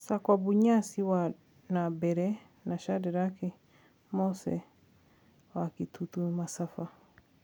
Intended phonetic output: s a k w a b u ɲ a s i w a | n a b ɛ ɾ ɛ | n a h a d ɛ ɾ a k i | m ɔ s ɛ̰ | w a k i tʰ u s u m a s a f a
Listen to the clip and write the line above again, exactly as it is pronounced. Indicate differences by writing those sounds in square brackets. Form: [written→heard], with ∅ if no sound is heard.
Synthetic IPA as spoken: s a k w a b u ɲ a s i w a | n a b ɛ ɾ ɛ | n a [h→ʃ] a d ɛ ɾ a k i | m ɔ s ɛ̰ | w a k i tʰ u [s→t] u m a s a f a